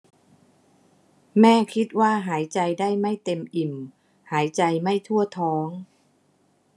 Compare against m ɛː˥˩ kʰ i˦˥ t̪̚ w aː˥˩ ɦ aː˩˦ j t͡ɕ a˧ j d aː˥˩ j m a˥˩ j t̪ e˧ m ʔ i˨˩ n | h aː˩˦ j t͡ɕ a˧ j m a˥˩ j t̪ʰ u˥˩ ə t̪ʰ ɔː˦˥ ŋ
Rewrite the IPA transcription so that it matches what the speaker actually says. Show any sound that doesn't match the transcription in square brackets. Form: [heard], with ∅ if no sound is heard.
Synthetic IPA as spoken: m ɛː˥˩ kʰ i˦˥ t̪̚ w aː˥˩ ɦ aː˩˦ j t͡ɕ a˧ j d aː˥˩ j m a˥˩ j t̪ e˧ m ʔ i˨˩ [m] | h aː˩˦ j t͡ɕ a˧ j m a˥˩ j t̪ʰ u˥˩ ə t̪ʰ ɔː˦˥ ŋ